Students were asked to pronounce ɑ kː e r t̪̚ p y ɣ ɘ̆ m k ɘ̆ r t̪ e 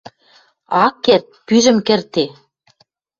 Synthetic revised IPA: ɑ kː e r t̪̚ p y ʒ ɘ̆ m k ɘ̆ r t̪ e